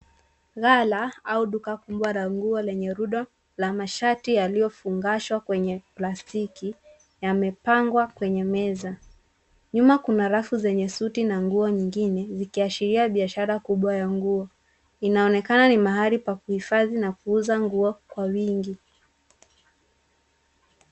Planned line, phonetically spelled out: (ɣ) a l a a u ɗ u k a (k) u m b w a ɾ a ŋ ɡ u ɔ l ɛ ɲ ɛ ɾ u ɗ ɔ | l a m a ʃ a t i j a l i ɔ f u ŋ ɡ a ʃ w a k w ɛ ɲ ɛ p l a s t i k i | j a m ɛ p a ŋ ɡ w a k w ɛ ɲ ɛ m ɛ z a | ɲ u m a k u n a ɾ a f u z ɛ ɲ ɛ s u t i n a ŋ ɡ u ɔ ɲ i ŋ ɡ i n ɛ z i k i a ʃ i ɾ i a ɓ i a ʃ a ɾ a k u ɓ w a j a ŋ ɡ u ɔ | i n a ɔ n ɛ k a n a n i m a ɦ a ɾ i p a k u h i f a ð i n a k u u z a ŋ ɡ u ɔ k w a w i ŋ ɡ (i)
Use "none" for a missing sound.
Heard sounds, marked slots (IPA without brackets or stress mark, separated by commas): ɣ, k, i